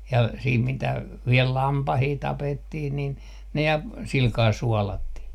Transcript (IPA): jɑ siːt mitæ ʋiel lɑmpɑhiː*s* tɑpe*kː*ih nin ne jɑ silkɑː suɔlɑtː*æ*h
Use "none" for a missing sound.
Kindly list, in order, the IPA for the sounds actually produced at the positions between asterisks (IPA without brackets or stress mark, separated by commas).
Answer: none, tː, i